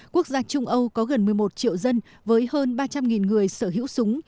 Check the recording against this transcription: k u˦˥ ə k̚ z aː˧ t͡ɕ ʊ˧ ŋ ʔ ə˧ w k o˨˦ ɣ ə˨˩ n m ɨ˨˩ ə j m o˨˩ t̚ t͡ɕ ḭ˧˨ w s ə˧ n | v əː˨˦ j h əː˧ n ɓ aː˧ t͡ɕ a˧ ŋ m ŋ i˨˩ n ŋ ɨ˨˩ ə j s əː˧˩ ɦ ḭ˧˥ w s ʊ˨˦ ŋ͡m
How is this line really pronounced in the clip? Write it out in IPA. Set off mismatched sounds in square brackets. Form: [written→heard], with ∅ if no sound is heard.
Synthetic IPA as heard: k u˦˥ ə k̚ z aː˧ t͡ɕ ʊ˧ [ŋ→ŋ͡m] ʔ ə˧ w k [o˨˦→ɔ˨˦] ɣ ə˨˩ n m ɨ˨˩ ə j m o˨˩ t̚ t͡ɕ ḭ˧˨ w [s→z] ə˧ n | v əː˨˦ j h əː˧ n ɓ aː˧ t͡ɕ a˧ [ŋ→∅] m ŋ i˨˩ n ŋ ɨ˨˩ ə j s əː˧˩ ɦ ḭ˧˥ w s ʊ˨˦ ŋ͡m